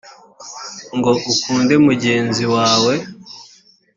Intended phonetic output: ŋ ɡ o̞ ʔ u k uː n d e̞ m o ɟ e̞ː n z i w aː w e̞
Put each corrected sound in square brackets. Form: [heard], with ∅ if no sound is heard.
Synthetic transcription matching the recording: ŋ ɡ o̞ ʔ u k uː n d e̞ m [u] ɟ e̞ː n z i w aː w e̞